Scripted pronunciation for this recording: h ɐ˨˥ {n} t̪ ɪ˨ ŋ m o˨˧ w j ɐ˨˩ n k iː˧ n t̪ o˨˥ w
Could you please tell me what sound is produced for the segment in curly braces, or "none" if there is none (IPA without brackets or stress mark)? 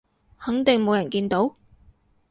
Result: ŋ